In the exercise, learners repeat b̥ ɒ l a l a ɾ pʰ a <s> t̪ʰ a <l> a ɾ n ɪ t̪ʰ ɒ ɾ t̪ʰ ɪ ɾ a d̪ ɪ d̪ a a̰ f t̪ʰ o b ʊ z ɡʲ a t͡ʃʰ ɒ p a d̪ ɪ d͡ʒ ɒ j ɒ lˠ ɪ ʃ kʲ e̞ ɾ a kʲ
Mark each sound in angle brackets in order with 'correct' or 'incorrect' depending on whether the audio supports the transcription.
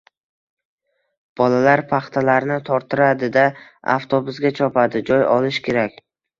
incorrect, correct

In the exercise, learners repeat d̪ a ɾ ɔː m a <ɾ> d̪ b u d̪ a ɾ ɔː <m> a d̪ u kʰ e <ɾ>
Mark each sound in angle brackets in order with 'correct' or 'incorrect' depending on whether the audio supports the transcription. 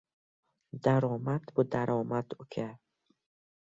incorrect, correct, incorrect

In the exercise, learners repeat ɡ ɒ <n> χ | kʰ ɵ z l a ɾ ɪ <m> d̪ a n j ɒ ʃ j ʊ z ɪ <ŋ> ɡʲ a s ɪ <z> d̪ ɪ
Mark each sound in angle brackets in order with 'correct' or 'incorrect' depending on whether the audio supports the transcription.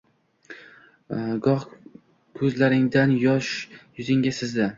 incorrect, incorrect, correct, correct

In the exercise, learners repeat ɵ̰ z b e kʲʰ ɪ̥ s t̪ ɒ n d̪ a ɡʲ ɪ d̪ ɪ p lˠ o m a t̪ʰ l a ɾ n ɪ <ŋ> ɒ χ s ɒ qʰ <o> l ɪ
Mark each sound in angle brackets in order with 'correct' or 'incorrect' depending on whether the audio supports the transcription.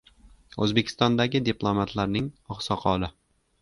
correct, incorrect

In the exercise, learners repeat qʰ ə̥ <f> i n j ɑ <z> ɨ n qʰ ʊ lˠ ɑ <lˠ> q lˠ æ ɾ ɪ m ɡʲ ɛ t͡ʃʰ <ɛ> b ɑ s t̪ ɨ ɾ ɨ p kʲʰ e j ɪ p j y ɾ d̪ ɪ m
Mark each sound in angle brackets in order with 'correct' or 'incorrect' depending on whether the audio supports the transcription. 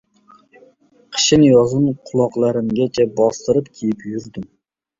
incorrect, correct, incorrect, correct

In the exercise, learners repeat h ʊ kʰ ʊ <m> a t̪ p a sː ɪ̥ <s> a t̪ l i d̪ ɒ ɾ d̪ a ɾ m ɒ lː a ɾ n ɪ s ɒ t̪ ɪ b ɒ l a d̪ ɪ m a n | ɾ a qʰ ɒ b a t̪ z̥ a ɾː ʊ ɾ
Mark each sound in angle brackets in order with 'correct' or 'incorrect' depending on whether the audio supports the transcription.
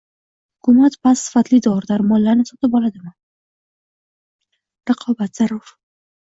correct, incorrect

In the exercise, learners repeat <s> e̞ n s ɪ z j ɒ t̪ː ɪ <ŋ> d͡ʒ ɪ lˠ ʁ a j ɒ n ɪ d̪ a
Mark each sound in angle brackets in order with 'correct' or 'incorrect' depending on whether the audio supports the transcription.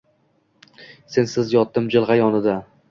correct, incorrect

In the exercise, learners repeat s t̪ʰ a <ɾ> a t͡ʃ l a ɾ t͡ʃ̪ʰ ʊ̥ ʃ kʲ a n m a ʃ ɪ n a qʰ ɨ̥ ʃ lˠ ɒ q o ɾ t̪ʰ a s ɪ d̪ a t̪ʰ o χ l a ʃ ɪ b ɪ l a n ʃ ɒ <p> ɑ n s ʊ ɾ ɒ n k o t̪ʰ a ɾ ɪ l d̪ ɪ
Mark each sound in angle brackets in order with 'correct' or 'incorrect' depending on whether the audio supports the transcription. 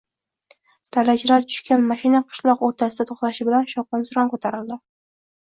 incorrect, incorrect

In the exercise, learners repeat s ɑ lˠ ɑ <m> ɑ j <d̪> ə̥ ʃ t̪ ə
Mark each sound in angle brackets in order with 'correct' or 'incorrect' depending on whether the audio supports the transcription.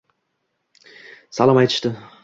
correct, incorrect

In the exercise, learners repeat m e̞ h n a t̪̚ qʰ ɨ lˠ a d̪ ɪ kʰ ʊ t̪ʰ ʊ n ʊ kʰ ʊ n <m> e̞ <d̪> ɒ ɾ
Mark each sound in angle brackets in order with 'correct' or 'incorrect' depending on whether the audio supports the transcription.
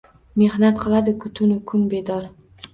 incorrect, correct

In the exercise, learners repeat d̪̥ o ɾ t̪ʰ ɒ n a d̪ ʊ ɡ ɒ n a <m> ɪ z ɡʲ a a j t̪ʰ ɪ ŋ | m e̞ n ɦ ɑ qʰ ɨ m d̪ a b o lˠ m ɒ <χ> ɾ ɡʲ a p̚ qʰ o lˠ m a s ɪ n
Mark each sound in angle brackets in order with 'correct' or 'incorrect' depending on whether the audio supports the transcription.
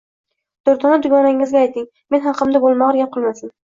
incorrect, incorrect

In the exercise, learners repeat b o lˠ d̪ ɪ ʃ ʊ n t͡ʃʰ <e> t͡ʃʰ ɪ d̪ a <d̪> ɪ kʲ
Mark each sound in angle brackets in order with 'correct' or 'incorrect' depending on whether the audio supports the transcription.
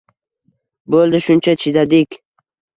incorrect, correct

